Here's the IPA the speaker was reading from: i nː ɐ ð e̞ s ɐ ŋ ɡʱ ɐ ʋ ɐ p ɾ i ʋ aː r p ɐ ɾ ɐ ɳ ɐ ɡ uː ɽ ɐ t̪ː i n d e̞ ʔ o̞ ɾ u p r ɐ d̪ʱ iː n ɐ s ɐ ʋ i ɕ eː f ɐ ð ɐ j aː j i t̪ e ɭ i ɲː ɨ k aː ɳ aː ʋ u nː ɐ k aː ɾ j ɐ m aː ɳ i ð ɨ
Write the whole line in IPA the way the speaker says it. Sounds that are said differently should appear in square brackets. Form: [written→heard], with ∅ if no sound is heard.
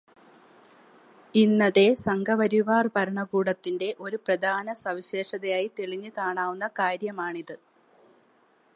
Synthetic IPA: i nː ɐ ð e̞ s ɐ ŋ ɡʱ ɐ ʋ ɐ [p→∅] ɾ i ʋ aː r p ɐ ɾ ɐ ɳ ɐ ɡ uː ɽ ɐ t̪ː i n d e̞ ʔ o̞ ɾ u p r ɐ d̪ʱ [iː→aː] n ɐ s ɐ ʋ i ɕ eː [f→ʂ] ɐ ð ɐ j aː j i t̪ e ɭ i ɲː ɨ k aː ɳ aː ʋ u nː ɐ k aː ɾ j ɐ m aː ɳ i ð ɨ